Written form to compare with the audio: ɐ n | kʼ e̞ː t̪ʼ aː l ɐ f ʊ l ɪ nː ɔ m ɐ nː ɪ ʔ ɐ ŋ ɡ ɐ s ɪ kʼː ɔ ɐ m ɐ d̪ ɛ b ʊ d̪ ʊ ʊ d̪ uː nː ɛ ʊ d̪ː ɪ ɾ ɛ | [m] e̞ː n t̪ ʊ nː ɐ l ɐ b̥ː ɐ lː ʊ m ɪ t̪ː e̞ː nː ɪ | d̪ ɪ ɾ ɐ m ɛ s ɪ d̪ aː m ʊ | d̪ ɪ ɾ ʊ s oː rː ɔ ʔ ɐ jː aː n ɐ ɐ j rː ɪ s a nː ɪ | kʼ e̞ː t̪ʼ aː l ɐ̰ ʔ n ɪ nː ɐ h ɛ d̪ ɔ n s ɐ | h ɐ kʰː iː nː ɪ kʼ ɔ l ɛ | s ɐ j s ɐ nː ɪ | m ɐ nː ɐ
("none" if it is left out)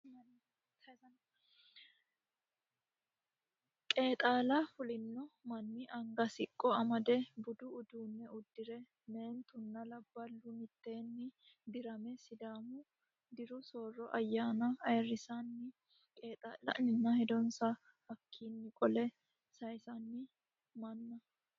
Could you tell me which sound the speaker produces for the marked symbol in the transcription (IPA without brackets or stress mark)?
m